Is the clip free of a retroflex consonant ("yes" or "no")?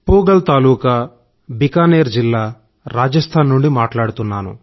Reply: no